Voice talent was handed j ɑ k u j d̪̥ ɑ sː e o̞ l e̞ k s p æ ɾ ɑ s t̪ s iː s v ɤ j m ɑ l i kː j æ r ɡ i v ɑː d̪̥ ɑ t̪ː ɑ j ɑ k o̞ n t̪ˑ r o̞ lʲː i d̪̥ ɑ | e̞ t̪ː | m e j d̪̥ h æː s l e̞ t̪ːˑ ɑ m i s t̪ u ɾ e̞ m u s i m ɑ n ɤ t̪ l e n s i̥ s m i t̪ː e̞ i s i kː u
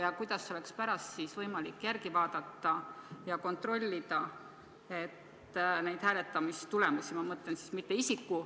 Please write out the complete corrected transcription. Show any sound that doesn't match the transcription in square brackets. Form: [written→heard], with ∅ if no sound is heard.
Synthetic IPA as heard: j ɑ k u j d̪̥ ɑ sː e o̞ l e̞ k s p æ ɾ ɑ s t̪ s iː s v ɤ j m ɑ l i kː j æ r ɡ i v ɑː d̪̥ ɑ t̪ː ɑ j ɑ k o̞ n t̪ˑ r o̞ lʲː i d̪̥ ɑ | e̞ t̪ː | [m→n] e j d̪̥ h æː [s→∅] l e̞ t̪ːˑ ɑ m i s t̪ u [ɾ→l] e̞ m u s i m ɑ [n→m] ɤ t̪ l e n s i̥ s m i t̪ː e̞ i s i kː u